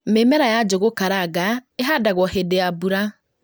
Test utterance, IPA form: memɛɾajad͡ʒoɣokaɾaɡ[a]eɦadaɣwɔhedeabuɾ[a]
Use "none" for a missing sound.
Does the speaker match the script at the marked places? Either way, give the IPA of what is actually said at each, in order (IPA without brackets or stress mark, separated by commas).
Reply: a, a